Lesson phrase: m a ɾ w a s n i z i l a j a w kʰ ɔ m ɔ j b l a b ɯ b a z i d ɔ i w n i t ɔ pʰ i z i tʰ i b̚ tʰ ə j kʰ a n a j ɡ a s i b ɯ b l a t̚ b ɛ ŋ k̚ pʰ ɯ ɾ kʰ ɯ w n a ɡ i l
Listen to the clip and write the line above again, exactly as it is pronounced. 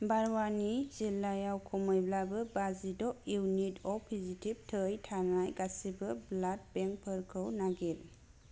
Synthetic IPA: b a ɾ w a n i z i l a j a w kʰ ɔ m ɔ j b l a b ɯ b a z i d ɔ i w n i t ɔ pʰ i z i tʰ i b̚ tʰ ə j tʰ a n a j ɡ a s i b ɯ b l a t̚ b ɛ ŋ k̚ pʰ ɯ ɾ kʰ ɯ w n a ɡ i l